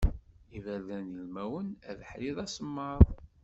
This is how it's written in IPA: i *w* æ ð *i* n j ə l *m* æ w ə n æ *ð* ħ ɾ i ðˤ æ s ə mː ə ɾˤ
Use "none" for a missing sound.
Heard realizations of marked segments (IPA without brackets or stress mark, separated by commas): v, æ, m, ð